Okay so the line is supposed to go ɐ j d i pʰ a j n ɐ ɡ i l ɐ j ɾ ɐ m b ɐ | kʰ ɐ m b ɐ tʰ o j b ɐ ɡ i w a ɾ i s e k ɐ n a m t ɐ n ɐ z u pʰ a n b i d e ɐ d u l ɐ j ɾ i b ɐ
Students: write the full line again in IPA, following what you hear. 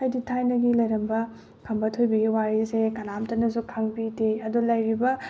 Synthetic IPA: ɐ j d i tʰ a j n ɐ ɡ i l ɐ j ɾ ɐ m b ɐ | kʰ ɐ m b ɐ tʰ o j b ɐ ɡ i w a ɾ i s e k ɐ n a m t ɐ n ɐ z u kʰ a ŋ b i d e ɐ d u l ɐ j ɾ i b ɐ